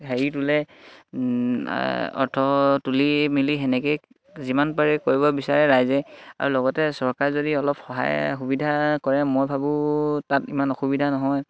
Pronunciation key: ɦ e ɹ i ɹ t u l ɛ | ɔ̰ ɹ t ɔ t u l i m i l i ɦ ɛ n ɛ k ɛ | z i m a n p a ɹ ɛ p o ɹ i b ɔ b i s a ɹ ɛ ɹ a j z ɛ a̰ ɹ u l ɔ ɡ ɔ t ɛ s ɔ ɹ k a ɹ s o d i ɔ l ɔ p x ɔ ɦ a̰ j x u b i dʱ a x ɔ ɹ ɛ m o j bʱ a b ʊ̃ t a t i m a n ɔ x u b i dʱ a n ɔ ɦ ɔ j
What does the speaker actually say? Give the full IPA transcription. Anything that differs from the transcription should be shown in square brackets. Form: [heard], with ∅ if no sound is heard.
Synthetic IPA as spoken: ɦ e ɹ i [∅] t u l ɛ | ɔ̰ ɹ [tʰ] ɔ t u l i m i l i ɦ ɛ n ɛ k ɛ | z i m a n p a ɹ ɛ [k] o ɹ i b ɔ b i s a ɹ ɛ ɹ a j z ɛ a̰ ɹ u l ɔ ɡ ɔ t ɛ s ɔ ɹ k a ɹ [z] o d i ɔ l ɔ p x ɔ ɦ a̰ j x u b i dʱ a [k] ɔ ɹ ɛ m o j bʱ a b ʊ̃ t a t i m a n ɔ x u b i dʱ a n ɔ ɦ ɔ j